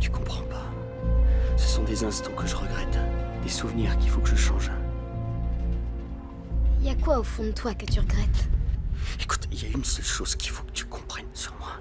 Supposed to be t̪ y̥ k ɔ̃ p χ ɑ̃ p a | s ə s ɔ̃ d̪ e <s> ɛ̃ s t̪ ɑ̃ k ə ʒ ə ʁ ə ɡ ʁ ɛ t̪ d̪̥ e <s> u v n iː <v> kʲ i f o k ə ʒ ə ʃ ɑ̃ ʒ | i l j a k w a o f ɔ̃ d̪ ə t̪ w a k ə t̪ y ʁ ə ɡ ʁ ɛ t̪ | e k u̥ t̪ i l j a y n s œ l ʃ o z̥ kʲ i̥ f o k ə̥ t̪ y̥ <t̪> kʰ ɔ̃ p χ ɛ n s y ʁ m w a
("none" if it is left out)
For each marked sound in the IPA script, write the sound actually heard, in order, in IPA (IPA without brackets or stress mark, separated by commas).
z, s, ʁ, none